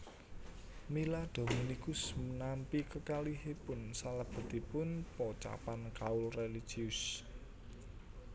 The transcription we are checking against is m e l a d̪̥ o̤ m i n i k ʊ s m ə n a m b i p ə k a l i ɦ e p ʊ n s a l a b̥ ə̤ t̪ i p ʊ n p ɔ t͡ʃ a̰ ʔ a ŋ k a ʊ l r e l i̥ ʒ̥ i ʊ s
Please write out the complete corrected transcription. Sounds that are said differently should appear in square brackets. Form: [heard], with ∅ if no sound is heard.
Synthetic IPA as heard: m [i] l a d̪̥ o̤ m i n i k ʊ s m ə n a m [p] i [k] ə k a l i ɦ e p ʊ n s a l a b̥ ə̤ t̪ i p ʊ n p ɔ t͡ʃ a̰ [p] a [n] k a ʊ l r e l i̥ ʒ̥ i ʊ s